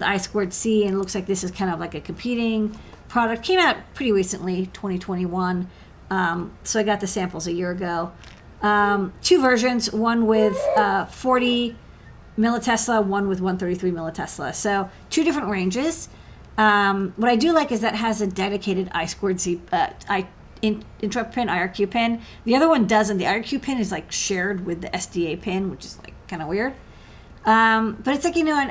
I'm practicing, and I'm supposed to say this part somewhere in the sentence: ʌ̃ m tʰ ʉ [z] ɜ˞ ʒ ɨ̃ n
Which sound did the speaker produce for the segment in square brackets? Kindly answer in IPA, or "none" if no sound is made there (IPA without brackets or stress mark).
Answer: v